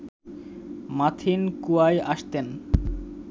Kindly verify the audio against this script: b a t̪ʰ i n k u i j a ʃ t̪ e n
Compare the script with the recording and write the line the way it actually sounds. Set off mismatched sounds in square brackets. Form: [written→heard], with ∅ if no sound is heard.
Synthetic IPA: [b→m] a t̪ʰ i n k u [i→a] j a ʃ t̪ e n